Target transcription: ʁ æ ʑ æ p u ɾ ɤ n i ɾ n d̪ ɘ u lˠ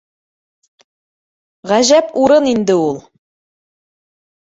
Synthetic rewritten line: ʁ æ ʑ æ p u ɾ ɤ n i n d̪ ɘ u lˠ